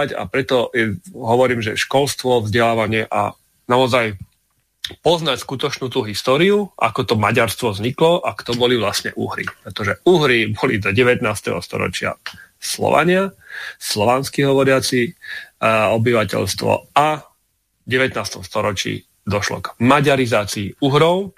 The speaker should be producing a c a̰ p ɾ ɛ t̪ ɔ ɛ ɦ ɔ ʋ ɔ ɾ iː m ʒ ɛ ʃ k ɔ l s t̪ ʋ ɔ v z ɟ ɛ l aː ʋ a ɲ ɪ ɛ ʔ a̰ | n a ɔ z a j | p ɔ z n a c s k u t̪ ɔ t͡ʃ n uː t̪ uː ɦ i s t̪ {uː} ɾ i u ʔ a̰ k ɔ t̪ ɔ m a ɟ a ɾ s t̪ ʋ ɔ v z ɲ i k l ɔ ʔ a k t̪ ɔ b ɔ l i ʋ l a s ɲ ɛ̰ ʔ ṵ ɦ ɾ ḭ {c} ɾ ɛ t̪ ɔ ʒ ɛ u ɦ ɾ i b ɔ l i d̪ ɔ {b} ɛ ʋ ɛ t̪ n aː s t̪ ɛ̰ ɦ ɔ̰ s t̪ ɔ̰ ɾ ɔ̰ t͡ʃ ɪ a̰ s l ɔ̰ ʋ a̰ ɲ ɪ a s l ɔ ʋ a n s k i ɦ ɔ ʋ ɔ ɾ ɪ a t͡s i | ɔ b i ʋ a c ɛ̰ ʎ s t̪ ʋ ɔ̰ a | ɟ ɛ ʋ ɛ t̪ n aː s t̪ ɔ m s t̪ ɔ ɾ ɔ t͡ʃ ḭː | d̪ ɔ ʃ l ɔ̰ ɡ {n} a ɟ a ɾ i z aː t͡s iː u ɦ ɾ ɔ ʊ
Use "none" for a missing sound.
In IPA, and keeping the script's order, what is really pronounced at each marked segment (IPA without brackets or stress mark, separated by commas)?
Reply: ɔː, p, ɟ, m